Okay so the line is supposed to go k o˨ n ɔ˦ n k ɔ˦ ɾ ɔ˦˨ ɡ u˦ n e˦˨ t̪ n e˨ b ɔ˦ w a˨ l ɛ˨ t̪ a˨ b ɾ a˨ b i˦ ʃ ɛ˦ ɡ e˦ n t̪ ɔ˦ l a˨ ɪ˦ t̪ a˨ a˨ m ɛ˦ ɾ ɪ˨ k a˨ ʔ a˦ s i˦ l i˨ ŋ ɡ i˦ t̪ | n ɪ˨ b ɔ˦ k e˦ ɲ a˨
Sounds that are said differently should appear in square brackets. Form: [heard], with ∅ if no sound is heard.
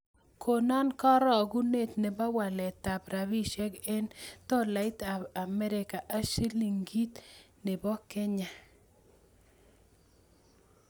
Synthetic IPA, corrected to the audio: k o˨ n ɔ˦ n k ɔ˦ ɾ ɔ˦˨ ɡ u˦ n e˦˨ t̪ n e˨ b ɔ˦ w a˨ l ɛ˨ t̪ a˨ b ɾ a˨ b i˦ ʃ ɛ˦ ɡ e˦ n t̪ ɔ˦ l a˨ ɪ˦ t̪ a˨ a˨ m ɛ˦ ɾ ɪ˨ k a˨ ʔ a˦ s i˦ l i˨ ŋ ɡ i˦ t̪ | n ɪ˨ b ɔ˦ k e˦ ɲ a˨